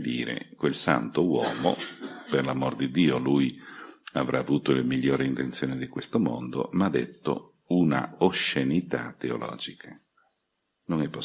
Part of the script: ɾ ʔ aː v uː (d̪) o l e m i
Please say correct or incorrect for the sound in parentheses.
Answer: incorrect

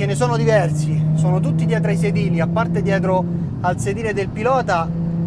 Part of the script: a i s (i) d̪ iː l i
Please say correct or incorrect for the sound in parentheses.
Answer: incorrect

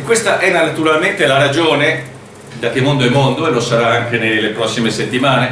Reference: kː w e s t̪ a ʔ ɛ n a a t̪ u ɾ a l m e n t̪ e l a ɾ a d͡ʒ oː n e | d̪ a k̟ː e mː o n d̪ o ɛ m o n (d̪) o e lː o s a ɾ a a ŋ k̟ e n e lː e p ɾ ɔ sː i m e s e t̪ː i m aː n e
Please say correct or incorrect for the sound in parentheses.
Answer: correct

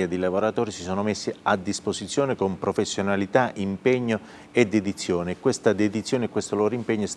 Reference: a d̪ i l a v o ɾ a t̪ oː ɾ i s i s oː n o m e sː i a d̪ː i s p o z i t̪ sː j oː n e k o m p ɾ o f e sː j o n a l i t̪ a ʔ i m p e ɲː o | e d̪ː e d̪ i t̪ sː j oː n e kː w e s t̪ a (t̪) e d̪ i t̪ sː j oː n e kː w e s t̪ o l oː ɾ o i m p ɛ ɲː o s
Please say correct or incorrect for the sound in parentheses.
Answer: incorrect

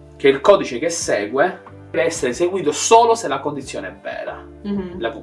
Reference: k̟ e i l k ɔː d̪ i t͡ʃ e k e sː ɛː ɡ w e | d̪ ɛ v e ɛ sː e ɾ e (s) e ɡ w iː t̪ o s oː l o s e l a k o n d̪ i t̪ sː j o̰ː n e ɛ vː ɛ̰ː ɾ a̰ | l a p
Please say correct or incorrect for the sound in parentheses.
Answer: correct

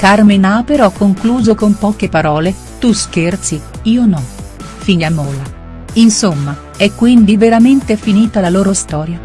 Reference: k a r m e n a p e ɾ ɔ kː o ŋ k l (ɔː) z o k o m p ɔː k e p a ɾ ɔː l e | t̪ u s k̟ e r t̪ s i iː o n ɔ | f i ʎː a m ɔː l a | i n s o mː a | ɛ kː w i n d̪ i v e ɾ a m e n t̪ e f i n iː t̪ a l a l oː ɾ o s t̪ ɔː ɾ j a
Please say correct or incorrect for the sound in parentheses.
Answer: incorrect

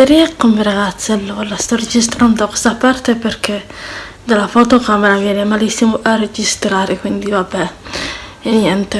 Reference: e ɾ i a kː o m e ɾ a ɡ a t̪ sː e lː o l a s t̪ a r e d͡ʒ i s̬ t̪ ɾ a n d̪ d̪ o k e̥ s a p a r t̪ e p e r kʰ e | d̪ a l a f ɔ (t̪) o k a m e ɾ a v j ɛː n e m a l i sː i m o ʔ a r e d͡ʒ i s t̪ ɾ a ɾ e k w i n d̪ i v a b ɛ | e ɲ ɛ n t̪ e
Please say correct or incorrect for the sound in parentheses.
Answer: correct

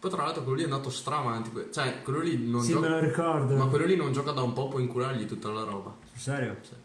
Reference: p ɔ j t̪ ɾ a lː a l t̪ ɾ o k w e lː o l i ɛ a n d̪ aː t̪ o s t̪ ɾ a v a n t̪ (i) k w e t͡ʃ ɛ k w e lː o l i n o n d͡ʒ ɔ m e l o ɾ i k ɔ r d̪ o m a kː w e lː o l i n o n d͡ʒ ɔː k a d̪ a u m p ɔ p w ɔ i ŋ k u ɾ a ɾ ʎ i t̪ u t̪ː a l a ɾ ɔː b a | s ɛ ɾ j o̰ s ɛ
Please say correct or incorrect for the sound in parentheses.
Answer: correct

